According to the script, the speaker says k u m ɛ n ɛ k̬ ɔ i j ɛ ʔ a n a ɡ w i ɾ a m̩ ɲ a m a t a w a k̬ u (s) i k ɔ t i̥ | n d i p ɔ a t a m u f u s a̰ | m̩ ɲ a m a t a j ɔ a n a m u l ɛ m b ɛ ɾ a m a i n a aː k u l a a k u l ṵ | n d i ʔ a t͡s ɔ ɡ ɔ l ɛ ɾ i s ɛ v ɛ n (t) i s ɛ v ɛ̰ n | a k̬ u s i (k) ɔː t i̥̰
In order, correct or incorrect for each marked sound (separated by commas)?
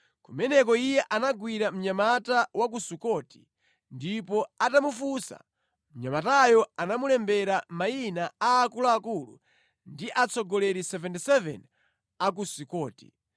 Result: correct, correct, correct